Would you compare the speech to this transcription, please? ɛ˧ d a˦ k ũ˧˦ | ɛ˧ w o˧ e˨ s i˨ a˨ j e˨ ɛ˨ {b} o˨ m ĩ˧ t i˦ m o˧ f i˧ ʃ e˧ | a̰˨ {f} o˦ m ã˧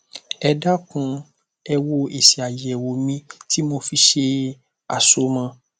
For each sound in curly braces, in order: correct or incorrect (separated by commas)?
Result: incorrect, incorrect